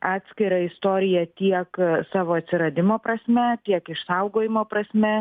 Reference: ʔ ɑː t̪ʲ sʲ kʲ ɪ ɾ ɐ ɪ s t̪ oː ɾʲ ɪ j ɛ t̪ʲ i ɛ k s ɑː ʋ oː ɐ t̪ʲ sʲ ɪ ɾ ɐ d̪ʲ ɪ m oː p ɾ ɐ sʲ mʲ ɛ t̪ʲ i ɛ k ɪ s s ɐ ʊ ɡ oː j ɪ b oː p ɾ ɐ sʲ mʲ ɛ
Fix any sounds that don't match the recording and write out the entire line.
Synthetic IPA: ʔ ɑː t̪ʲ sʲ kʲ ɪ ɾ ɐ ɪ s t̪ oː ɾʲ ɪ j ɛ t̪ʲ i ɛ k s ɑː ʋ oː ɐ t̪ʲ sʲ ɪ ɾ ɐ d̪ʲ ɪ m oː p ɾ ɐ sʲ mʲ ɛ t̪ʲ i ɛ k ɪ ʃ s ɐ ʊ ɡ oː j ɪ m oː p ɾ ɐ sʲ mʲ ɛ